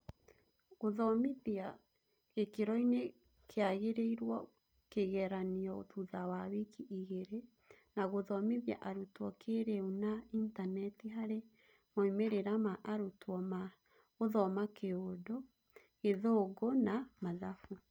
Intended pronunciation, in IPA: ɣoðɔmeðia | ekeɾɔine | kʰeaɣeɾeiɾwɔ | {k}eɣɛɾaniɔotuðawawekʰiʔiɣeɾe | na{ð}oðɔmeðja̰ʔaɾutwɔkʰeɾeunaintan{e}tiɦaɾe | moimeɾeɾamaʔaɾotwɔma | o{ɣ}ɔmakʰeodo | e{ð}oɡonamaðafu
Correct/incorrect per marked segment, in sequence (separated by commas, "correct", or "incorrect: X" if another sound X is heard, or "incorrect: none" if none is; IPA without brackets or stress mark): correct, incorrect: ɣ, incorrect: ɛ, incorrect: ð, correct